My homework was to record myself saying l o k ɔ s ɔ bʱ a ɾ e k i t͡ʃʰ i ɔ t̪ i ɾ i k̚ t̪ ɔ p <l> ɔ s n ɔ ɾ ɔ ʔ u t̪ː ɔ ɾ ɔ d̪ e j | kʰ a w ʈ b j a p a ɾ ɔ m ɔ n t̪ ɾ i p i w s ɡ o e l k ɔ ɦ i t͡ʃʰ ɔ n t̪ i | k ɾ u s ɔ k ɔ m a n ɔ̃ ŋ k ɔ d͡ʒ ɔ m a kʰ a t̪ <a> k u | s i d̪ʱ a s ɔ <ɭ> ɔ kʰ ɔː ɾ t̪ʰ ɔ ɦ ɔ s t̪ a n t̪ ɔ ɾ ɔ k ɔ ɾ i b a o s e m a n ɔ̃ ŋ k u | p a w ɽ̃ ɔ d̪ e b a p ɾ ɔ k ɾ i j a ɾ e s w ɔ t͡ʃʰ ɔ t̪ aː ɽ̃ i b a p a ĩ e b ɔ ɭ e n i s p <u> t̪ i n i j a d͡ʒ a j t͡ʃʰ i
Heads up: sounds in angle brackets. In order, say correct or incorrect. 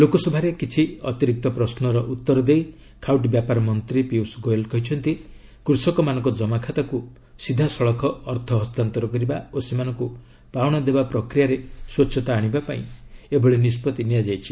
incorrect: ɾ, correct, correct, incorrect: ɔ

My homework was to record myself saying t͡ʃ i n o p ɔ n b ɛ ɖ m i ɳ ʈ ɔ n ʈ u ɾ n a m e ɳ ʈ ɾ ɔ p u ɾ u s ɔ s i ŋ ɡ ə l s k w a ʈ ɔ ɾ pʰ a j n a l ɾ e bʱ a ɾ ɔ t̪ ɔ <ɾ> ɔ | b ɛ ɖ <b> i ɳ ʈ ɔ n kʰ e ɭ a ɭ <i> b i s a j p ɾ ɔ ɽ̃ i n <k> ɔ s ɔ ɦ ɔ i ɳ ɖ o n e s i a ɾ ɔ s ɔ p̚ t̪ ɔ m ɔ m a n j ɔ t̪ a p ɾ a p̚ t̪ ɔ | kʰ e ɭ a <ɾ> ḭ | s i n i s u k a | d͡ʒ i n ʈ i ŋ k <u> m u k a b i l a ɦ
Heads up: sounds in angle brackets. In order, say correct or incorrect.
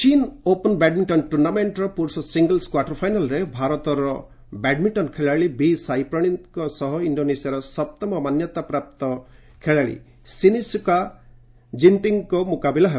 correct, incorrect: m, correct, correct, incorrect: ɭ, incorrect: ɔ

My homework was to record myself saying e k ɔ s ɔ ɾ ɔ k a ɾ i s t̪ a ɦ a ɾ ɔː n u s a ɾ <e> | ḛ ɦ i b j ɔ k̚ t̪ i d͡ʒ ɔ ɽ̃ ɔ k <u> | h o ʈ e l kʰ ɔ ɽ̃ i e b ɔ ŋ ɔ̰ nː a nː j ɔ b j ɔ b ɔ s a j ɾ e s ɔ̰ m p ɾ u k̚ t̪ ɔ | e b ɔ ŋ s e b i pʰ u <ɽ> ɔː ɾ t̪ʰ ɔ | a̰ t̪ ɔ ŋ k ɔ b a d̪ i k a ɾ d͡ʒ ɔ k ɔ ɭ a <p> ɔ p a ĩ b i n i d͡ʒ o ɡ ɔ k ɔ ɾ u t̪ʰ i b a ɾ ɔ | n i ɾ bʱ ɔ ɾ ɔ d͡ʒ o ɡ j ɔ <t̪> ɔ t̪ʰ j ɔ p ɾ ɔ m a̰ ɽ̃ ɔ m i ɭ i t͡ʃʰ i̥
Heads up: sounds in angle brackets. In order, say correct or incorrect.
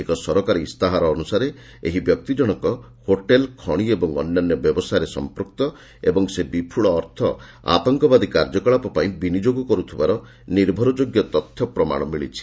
correct, incorrect: ɔ, incorrect: ɭ, correct, correct

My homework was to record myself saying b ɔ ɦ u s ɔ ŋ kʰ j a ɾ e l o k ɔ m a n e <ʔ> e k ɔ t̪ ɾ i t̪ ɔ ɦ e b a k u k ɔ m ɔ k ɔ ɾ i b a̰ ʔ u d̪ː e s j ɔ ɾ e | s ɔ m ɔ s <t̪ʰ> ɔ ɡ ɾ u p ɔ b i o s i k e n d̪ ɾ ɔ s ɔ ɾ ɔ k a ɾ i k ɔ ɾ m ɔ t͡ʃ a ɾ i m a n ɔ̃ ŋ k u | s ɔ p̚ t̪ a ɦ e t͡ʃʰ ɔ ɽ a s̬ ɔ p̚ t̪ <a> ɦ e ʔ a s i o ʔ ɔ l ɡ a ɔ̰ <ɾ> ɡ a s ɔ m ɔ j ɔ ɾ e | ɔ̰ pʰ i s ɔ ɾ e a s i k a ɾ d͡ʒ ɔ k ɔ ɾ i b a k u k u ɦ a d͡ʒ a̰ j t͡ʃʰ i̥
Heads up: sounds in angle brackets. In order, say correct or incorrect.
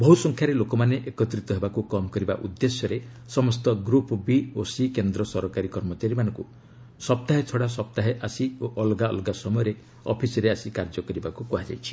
correct, incorrect: t̪, correct, incorrect: l

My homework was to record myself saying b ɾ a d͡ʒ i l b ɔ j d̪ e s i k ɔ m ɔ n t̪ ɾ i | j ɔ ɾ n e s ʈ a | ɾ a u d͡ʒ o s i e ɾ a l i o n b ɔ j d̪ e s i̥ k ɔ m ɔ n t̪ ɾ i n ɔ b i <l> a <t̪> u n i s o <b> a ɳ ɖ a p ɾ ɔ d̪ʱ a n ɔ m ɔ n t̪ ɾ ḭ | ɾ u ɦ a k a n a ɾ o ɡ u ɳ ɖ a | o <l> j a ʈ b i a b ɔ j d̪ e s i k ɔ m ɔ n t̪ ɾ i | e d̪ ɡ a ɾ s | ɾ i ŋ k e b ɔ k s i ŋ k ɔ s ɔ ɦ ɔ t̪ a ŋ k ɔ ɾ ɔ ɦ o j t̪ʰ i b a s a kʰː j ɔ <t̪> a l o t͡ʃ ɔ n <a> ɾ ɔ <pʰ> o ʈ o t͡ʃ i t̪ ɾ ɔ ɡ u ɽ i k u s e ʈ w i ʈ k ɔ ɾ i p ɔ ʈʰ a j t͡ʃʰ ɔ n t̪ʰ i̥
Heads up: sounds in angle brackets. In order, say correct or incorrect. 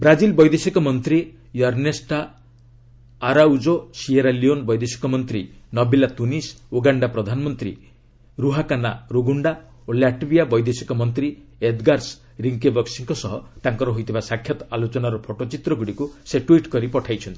correct, correct, incorrect: ɡ, correct, correct, correct, correct

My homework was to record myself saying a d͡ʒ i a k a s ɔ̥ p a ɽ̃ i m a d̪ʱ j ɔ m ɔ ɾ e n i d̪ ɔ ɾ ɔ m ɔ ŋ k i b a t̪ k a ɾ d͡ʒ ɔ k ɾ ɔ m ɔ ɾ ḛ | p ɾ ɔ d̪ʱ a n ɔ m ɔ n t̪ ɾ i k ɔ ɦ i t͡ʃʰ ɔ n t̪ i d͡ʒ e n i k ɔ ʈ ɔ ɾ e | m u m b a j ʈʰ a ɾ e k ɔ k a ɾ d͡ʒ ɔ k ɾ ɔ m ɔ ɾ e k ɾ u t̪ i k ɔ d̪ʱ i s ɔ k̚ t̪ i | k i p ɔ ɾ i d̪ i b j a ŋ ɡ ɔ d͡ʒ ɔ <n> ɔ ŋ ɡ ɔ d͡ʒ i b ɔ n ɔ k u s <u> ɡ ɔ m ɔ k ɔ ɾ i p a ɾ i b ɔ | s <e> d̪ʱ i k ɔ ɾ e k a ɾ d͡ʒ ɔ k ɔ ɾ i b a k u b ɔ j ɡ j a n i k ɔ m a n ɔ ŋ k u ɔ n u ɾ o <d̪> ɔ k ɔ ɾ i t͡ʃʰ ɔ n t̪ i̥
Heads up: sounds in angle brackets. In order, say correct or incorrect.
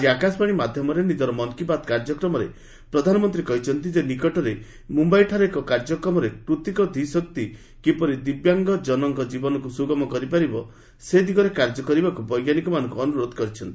correct, correct, correct, correct

